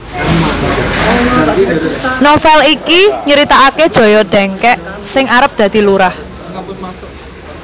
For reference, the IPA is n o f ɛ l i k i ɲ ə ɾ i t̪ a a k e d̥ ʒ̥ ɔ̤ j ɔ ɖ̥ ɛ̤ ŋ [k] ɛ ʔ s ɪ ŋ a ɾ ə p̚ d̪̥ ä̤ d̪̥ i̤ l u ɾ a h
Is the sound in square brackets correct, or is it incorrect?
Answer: correct